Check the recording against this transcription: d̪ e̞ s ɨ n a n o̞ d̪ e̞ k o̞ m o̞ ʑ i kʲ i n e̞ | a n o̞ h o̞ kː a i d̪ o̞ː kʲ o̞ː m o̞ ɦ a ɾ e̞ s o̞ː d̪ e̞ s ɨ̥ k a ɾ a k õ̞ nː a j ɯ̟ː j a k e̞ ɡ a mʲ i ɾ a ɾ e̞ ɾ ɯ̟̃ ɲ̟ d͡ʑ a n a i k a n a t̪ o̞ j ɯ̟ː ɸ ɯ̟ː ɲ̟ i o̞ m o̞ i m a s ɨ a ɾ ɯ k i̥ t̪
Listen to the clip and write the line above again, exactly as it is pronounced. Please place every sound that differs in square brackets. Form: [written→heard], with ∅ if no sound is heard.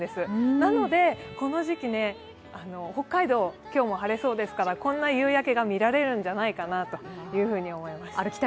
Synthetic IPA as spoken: d̪ e̞ s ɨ n a n o̞ d̪ e̞ k o̞ [m→n] o̞ ʑ i kʲ i n e̞ | a n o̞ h o̞ kː a i d̪ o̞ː kʲ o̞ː m o̞ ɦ a ɾ e̞ s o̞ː d̪ e̞ s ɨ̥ k a ɾ a k õ̞ nː a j ɯ̟ː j a k e̞ ɡ a mʲ i ɾ a ɾ e̞ ɾ ɯ̟̃ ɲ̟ d͡ʑ a n a i k a n a t̪ o̞ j ɯ̟ː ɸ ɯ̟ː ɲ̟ i o̞ m o̞ i m a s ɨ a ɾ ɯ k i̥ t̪